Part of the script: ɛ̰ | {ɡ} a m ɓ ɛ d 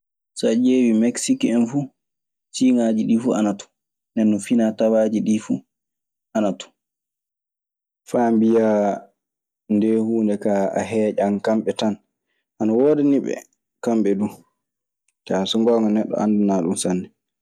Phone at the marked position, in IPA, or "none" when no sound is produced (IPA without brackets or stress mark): k